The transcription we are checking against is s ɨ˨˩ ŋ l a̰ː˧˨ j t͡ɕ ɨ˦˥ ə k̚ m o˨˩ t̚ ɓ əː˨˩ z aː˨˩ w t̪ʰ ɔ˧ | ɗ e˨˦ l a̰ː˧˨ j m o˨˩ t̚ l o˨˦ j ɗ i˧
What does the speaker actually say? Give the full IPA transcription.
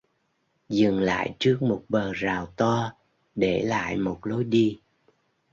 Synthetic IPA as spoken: z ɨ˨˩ ŋ l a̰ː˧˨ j t͡ɕ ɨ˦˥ ə k̚ m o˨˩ t̚ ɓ əː˨˩ z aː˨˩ w t̪ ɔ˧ | ɗ e˧˩ l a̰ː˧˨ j m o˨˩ t̚ l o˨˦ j ɗ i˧